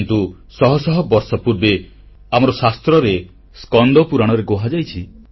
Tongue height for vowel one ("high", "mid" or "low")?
high